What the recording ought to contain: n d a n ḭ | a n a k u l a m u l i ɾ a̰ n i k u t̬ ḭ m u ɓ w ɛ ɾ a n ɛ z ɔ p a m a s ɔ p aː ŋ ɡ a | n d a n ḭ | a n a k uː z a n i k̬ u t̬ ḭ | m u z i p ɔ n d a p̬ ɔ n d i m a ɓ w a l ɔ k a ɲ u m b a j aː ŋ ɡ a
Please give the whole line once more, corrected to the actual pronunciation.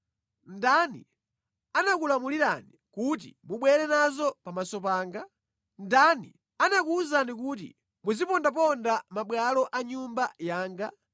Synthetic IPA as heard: n d a n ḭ | a n a k u l a m u l i ɾ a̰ n i k u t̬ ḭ m u ɓ w ɛ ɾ ɛ n a z ɔ p a m a s ɔ p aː ŋ ɡ a | n d a n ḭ | a n a k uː z a n i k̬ u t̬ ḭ | m u z i p ɔ n d a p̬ ɔ n d a m a ɓ w a l ɔ ʔ a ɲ u m b a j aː ŋ ɡ a